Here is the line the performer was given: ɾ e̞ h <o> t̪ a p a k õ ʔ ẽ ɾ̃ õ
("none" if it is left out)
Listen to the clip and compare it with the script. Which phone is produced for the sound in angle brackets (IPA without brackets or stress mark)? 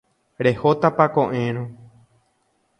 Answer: o